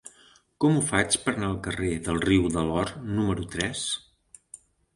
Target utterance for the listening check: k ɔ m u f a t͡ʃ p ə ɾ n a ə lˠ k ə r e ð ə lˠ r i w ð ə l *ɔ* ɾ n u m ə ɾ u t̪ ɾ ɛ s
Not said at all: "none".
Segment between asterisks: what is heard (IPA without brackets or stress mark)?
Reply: ɔ